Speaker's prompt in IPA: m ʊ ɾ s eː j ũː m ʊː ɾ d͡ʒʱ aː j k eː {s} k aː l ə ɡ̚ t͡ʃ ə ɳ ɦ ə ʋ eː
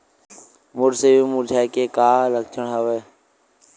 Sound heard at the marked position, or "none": none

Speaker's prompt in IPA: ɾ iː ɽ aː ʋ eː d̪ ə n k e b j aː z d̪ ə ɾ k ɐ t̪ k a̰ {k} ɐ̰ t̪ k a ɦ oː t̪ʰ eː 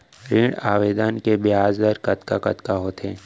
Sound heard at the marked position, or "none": k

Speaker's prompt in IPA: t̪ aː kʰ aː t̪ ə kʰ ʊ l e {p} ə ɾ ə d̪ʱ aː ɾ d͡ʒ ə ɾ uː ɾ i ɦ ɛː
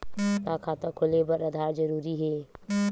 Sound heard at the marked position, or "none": b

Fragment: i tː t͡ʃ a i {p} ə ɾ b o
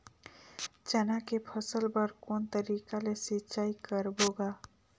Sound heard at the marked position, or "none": k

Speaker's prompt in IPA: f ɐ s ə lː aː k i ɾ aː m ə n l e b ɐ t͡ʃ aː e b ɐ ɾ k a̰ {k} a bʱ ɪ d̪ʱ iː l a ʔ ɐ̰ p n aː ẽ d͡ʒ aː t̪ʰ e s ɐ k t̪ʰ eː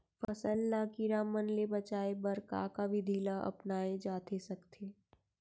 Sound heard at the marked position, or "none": k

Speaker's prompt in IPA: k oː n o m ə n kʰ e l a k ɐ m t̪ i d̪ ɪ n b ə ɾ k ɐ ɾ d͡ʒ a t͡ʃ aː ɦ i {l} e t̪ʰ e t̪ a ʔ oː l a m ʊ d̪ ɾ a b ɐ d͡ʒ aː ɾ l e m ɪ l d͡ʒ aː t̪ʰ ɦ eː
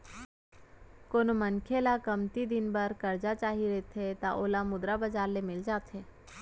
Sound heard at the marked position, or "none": ɾ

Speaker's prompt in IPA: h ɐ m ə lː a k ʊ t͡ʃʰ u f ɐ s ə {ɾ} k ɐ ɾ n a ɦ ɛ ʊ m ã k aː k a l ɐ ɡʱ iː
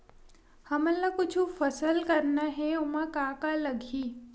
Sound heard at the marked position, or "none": l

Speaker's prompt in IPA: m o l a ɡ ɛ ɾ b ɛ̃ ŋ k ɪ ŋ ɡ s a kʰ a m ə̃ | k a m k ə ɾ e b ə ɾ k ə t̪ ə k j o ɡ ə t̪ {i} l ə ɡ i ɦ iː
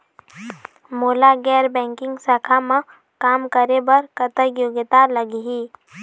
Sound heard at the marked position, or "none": a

